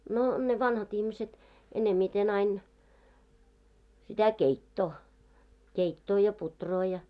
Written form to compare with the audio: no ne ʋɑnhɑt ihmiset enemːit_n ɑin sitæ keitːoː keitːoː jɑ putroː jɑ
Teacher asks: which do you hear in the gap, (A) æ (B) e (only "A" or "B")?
B